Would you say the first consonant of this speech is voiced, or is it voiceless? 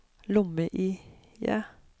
voiced